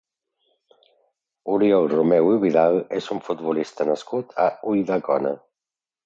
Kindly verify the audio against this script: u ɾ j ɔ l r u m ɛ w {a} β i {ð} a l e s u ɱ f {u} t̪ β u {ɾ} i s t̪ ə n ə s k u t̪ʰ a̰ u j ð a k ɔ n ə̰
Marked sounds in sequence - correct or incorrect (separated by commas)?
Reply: incorrect, correct, correct, incorrect